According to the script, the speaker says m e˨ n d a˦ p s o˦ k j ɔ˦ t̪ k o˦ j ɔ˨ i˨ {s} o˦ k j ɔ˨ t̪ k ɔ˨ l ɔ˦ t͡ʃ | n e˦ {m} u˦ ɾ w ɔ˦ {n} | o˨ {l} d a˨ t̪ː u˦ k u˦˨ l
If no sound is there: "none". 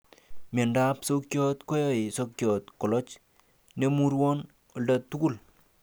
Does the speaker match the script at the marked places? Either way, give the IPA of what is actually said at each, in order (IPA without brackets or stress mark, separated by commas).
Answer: s, m, n, l